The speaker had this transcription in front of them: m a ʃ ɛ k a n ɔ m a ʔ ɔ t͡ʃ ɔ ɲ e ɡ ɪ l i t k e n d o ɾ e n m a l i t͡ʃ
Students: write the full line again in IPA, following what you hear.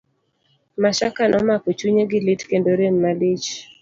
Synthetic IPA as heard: m a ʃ a k a n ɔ m a k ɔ t͡ʃ u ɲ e ɡ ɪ l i t k e n d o ɾ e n m a l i t͡ʃ